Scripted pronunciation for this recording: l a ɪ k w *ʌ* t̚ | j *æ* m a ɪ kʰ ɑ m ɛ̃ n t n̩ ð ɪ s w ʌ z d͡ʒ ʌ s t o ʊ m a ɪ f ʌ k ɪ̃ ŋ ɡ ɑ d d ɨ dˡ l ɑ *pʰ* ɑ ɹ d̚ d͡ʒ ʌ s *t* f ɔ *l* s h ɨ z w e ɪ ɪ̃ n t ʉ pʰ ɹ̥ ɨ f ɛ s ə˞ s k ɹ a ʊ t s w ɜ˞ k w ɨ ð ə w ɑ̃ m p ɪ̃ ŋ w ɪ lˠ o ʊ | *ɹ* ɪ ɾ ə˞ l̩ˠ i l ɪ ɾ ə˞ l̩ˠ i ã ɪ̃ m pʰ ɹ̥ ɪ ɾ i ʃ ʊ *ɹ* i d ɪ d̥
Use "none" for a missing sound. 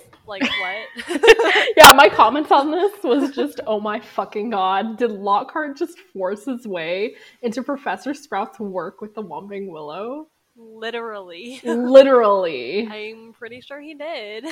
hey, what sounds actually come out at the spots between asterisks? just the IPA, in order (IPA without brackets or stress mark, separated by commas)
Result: ʌ, æ, kʰ, t, ɹ, l, ɹ